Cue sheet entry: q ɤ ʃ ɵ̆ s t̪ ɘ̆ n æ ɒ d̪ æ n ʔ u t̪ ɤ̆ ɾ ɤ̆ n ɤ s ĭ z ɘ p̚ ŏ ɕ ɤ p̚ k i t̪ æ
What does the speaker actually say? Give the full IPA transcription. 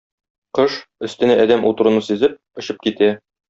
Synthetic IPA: q ɤ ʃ ɵ̆ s t̪ ɘ̆ n æ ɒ d̪ æ m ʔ u t̪ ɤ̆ ɾ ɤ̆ n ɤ s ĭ z ɘ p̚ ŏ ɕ ɤ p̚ k i t̪ æ